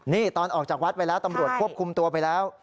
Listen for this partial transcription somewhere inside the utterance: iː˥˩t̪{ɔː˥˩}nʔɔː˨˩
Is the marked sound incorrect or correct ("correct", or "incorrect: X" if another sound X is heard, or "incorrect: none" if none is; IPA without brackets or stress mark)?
incorrect: ɔː˧